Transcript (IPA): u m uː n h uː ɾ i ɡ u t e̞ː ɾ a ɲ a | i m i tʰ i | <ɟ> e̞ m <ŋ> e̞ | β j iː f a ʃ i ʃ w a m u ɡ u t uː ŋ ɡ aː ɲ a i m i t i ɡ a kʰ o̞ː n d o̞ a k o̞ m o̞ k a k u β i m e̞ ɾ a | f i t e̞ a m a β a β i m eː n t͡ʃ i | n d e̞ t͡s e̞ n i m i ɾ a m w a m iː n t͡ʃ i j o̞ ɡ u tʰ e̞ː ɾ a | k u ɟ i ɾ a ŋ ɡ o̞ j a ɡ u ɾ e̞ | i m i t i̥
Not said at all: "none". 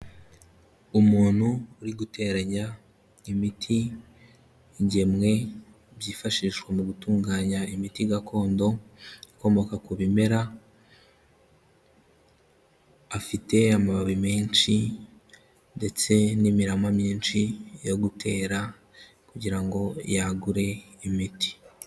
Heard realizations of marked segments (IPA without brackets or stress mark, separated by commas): ɟ, ŋ